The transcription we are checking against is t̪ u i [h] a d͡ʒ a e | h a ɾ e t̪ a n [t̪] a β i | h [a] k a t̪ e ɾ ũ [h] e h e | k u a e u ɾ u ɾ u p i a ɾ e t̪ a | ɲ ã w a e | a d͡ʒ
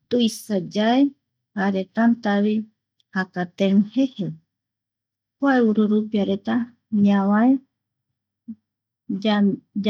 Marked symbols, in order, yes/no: no, yes, yes, yes

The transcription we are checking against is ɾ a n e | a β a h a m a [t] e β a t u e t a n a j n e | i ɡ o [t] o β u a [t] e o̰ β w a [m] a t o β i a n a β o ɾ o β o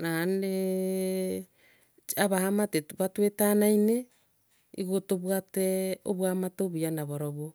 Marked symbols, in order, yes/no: yes, yes, yes, yes

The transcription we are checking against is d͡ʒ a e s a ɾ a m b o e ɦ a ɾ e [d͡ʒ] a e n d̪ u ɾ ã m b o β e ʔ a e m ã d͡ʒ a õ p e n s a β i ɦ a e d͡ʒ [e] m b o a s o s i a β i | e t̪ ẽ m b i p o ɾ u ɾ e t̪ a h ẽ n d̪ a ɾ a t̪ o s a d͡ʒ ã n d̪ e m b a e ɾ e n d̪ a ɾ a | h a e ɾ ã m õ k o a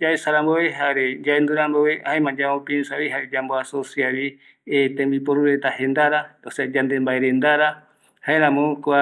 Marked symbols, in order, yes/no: yes, no

